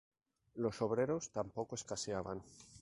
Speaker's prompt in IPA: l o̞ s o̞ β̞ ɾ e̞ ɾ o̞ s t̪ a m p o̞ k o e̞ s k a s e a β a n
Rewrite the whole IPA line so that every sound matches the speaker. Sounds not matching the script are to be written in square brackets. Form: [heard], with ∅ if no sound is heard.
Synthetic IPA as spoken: l o̞ s o̞ β̞ ɾ e̞ ɾ o̞ s t̪ a m p o̞ k o e̞ s k a s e a β a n